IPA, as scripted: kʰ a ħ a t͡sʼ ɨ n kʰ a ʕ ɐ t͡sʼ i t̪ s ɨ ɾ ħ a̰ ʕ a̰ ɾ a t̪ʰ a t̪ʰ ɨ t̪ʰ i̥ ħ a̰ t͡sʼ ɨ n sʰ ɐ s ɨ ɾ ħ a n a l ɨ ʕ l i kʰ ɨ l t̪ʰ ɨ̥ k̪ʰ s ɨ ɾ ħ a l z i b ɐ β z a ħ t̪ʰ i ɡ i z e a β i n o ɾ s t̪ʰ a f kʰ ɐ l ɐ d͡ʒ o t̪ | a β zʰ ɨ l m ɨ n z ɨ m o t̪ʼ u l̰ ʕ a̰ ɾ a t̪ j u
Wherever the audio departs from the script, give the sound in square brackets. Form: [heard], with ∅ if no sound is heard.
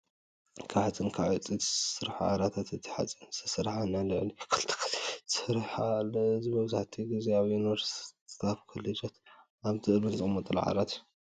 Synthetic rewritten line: kʰ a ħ a t͡sʼ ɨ n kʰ a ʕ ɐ t͡sʼ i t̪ s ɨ ɾ ħ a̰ ʕ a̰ ɾ a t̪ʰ a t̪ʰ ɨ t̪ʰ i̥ ħ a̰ t͡sʼ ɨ n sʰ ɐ s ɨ ɾ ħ a n a l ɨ ʕ l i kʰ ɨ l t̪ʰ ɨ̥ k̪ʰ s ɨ ɾ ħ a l z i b ɐ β z a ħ t̪ʰ i ɡ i z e a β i n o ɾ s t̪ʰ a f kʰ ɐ l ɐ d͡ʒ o t̪ | a β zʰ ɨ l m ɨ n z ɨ m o t̪ʼ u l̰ ʕ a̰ ɾ a t̪ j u